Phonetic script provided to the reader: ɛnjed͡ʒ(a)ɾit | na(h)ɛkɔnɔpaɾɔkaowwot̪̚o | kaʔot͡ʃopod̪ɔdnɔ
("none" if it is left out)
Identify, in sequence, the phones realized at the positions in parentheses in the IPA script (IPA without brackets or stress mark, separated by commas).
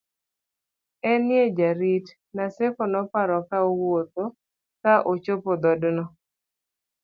a, s